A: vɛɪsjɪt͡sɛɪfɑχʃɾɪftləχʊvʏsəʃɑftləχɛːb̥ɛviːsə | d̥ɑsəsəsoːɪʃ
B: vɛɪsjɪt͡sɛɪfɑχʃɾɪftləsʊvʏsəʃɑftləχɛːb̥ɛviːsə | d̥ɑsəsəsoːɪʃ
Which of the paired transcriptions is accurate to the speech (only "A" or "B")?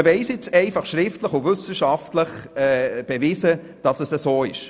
A